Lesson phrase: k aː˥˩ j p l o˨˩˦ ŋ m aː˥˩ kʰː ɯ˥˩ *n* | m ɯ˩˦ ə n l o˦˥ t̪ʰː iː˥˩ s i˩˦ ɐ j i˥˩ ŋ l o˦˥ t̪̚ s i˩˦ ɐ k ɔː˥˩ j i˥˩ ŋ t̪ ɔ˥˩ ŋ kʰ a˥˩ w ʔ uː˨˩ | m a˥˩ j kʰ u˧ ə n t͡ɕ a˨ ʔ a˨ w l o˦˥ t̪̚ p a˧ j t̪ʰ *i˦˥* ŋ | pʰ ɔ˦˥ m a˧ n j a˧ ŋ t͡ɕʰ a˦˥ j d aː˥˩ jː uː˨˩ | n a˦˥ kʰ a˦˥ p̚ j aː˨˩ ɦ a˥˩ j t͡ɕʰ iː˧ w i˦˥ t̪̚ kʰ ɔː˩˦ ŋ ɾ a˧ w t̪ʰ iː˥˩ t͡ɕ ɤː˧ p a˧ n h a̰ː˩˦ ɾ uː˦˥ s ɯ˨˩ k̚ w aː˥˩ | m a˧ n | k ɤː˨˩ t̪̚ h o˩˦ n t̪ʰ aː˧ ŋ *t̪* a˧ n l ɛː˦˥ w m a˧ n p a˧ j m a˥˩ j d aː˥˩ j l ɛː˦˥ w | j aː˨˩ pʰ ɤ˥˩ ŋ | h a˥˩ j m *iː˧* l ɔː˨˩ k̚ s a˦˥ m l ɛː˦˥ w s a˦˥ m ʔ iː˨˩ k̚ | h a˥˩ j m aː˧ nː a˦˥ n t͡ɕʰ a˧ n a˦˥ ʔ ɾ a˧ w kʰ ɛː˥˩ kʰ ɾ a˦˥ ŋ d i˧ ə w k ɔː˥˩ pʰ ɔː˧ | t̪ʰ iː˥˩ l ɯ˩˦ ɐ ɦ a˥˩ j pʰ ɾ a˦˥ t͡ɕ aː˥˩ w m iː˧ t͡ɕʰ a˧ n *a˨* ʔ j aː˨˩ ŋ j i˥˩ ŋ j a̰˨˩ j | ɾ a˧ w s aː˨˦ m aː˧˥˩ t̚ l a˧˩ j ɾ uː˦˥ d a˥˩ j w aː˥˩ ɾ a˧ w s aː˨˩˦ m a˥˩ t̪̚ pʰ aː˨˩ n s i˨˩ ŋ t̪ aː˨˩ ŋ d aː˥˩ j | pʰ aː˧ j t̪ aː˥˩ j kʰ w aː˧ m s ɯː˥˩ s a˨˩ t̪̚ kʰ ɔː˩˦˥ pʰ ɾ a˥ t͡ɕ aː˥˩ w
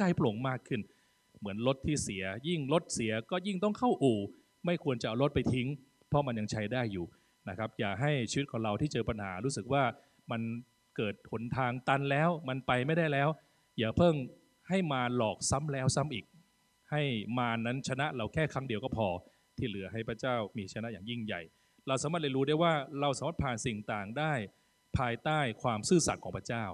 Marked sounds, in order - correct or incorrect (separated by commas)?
correct, correct, correct, incorrect, incorrect